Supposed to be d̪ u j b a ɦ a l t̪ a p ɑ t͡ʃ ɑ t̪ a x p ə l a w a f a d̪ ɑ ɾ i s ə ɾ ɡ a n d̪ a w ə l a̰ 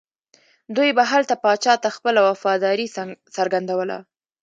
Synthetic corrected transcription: d̪ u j b a ɦ a l t̪ a p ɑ t͡ʃ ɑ t̪ a x p ə l a w a f ɑ d̪ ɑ ɾ i s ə ɾ ɡ a n d̪ a w ə l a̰

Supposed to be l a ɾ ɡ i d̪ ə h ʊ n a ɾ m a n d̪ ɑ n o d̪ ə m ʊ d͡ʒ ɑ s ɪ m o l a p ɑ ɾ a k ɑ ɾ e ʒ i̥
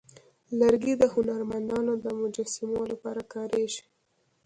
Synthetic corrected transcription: l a ɾ ɡ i d̪ ə h ʊ n a ɾ m a n d̪ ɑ n o d̪ ə m ʊ d͡ʒ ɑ s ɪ m o l a p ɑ ɾ a k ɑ ɾ e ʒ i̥

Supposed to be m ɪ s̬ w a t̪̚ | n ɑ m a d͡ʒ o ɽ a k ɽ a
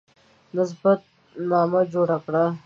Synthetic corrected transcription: n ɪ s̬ b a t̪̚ | n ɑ m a d͡ʒ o ɽ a k ɽ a

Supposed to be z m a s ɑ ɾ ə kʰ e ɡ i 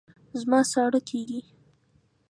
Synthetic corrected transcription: z m ɑ s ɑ ɽ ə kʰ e ɡ i

